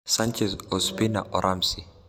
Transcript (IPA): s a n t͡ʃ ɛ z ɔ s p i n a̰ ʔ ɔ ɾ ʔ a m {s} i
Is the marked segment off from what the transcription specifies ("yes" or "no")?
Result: no